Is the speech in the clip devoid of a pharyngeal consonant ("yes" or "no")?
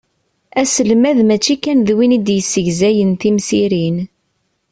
yes